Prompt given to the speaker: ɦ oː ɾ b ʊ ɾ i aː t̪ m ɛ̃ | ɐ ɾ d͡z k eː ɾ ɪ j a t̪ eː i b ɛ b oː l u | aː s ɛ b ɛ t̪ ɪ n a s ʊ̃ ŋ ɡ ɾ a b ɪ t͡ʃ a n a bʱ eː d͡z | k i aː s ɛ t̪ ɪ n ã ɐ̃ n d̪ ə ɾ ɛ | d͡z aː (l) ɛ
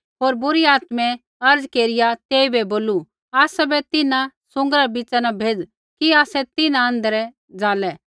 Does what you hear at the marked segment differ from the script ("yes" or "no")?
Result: no